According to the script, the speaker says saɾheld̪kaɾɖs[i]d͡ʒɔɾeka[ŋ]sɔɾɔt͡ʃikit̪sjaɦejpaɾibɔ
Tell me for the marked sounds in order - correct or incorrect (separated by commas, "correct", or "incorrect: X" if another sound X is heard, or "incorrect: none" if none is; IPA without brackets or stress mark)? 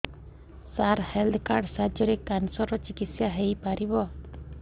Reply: incorrect: a, incorrect: n